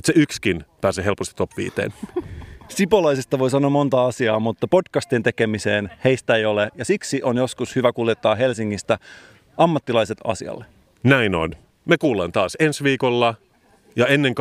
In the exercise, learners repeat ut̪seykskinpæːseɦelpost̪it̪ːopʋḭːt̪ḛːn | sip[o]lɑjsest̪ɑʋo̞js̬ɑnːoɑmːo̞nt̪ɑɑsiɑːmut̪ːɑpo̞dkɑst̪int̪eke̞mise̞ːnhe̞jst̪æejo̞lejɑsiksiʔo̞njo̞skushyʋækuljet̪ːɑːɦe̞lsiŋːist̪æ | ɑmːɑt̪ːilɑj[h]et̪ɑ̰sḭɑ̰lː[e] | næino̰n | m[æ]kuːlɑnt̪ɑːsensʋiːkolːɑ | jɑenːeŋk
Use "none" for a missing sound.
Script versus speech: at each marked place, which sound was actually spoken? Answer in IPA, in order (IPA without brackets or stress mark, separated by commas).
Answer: o, s, e, e